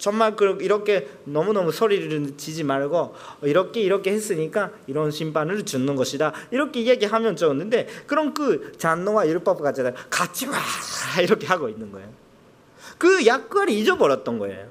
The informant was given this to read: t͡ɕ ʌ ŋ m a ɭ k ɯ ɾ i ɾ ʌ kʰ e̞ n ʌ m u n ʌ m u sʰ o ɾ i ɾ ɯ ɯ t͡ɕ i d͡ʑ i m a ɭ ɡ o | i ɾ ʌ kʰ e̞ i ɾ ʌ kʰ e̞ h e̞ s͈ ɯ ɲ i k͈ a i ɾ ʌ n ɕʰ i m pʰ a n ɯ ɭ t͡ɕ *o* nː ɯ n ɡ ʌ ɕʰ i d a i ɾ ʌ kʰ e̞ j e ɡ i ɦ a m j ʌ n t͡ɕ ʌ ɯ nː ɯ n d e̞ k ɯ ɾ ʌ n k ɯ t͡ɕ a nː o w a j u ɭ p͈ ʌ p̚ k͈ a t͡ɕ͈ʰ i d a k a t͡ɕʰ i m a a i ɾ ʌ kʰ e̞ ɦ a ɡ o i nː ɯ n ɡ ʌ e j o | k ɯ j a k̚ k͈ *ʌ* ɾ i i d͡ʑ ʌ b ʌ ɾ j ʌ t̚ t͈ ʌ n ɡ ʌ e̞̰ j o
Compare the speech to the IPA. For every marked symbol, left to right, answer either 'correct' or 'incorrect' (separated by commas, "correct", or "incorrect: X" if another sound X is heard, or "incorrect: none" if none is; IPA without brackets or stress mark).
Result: incorrect: u, incorrect: a